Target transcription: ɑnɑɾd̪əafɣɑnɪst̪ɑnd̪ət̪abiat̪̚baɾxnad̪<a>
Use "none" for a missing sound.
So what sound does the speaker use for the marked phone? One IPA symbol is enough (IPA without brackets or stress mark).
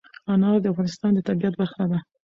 a